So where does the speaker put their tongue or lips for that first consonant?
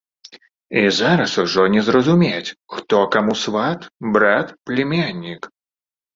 tongue tip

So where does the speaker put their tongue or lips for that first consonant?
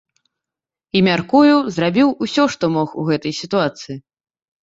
lips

